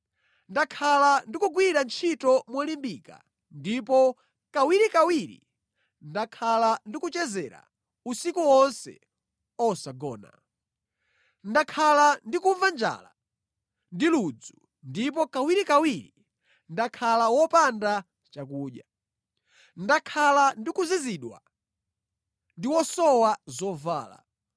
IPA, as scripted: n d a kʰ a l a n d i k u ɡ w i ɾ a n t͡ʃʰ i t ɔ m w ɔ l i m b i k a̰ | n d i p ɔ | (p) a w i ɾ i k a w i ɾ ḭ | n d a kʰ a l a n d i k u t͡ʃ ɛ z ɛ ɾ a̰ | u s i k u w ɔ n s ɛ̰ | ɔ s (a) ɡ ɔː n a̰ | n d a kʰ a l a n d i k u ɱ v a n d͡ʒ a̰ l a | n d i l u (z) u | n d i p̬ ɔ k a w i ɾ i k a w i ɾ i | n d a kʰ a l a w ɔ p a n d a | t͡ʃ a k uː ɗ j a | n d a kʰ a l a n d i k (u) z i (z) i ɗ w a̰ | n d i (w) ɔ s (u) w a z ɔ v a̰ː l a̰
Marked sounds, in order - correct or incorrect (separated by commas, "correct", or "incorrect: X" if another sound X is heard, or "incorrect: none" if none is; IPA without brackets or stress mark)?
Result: incorrect: k, correct, incorrect: d͡z, correct, correct, correct, incorrect: ɔ